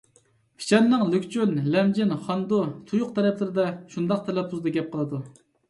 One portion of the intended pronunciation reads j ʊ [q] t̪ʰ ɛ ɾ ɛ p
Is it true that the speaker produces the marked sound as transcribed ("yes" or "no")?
yes